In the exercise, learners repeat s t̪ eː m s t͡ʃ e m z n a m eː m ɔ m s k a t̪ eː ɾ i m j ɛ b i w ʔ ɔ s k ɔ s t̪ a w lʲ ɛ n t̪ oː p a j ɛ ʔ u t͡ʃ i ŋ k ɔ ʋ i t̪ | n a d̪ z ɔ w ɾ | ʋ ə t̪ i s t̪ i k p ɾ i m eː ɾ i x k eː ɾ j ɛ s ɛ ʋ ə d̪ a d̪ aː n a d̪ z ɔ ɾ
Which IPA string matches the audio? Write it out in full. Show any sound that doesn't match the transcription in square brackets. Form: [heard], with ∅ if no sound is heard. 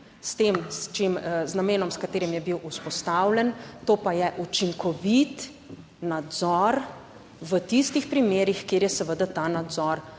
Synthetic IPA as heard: s t̪ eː m s t͡ʃ e m z n a m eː [n] ɔ m s k a t̪ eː ɾ i m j ɛ b i w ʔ [u] s [p] ɔ s t̪ a w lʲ ɛ n t̪ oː p a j ɛ ʔ u t͡ʃ i ŋ k ɔ ʋ i t̪ | n a d̪ z ɔ [∅] ɾ | ʋ ə t̪ i s t̪ i [x] p ɾ i m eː ɾ i x k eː ɾ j ɛ s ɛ ʋ ə d̪ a [t̪] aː n a d̪ z ɔ ɾ